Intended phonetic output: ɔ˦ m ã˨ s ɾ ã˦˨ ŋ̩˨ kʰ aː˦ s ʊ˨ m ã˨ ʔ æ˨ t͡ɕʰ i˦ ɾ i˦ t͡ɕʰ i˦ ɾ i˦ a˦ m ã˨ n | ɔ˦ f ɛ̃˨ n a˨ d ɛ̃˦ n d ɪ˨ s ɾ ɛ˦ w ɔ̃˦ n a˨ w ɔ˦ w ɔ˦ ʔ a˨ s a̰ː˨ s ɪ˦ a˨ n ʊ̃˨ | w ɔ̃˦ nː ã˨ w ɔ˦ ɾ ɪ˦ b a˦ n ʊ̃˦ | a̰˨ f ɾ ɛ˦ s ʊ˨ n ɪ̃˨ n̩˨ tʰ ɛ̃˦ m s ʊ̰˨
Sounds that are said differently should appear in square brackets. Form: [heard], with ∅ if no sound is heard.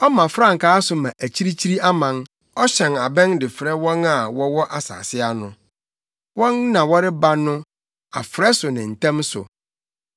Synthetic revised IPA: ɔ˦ m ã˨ [f] ɾ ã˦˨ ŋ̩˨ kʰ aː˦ s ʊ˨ m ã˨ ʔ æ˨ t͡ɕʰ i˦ ɾ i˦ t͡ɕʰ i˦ ɾ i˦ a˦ m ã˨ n | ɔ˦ [ɕ] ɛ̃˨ n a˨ [b] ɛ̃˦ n d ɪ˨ [f] ɾ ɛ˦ w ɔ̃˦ n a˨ w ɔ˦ w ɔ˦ ʔ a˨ s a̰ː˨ s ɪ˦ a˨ n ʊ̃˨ | w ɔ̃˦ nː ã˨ w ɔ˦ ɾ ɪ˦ b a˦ n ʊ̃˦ | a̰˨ f ɾ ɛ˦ s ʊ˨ n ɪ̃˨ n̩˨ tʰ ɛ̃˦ m s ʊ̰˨